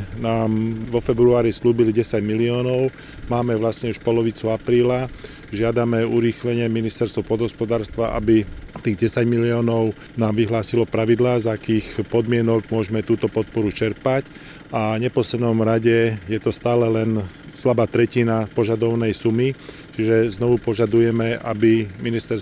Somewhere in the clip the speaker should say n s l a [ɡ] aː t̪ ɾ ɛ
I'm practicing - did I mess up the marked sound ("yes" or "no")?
yes